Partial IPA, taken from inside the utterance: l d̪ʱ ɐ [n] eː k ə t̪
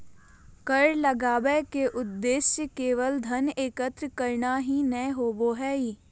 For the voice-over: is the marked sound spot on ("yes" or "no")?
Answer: yes